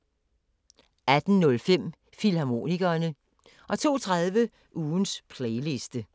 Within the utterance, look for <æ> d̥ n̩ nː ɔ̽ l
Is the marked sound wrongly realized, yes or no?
no